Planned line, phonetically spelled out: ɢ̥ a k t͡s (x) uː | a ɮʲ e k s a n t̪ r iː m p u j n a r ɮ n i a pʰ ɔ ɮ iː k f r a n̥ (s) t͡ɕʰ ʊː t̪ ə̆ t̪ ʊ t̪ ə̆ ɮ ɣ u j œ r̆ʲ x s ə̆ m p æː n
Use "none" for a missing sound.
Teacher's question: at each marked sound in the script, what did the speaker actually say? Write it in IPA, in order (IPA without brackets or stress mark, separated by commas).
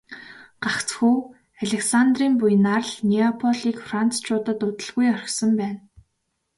x, t͡s